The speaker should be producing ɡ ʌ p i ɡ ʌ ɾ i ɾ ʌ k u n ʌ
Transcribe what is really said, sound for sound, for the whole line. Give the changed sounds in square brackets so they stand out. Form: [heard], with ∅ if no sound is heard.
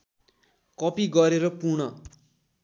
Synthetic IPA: [k] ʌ p i ɡ ʌ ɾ [e] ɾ ʌ [p] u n ʌ